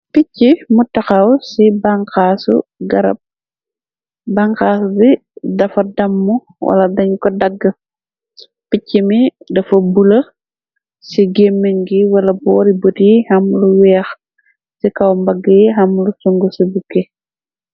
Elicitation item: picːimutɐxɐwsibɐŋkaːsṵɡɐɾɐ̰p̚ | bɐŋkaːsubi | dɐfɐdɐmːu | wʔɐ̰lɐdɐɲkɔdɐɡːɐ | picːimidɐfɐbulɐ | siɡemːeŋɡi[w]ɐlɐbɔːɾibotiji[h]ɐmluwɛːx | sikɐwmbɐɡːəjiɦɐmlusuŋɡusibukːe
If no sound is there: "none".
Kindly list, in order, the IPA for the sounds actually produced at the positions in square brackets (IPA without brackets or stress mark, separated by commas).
w, h